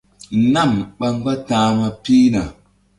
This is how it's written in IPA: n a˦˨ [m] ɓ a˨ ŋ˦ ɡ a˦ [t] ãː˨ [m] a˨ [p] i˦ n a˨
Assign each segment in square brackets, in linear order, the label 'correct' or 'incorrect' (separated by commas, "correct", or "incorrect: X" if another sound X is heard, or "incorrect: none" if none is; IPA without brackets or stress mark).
correct, correct, correct, correct